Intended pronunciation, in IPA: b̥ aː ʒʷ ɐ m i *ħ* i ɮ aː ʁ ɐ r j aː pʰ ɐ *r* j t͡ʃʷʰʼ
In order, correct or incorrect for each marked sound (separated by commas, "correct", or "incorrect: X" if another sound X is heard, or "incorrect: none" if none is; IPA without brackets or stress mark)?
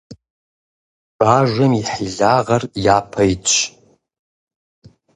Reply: correct, incorrect: none